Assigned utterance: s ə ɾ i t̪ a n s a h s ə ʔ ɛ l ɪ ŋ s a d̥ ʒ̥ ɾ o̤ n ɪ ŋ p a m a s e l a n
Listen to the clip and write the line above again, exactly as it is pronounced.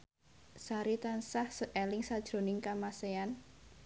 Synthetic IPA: s a ɾ i t̪ a n s a h s ə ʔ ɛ l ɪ ŋ s a d̥ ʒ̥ ɾ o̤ n ɪ ŋ k a m a s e a n